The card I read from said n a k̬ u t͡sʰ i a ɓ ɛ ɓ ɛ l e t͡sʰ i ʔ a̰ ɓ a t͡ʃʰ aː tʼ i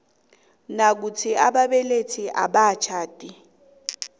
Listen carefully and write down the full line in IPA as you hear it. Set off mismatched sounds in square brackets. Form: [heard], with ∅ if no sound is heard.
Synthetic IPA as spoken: n a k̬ u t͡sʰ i a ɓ [a] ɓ ɛ l e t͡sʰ i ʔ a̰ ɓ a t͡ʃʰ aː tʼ i